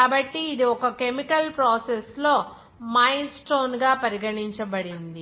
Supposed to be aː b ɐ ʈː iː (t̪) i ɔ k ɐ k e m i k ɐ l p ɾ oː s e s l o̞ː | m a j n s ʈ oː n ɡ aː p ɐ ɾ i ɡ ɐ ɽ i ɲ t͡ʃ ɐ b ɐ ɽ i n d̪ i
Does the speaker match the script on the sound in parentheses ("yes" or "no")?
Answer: no